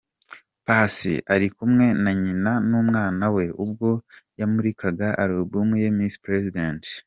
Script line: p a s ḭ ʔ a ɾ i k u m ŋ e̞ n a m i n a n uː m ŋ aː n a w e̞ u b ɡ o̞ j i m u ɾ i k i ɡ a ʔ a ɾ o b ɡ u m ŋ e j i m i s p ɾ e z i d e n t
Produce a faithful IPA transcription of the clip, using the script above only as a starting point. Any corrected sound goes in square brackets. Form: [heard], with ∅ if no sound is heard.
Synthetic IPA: p a s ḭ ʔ a ɾ i k u m ŋ e̞ n a [ɲ] i n a n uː m ŋ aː n a w e̞ u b ɡ o̞ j [a] m u ɾ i k [a] ɡ a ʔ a ɾ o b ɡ u m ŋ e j [e] m i s p ɾ e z i d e n t